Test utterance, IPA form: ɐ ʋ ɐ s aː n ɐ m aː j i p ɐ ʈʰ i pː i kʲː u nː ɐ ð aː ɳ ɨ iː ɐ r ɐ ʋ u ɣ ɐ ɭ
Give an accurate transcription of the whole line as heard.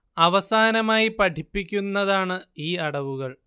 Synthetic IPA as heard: ɐ ʋ ɐ s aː n ɐ m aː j i p ɐ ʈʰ i pː i kʲː u nː ɐ ð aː ɳ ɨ iː ɐ ɽ ɐ ʋ u ɣ ɐ ɭ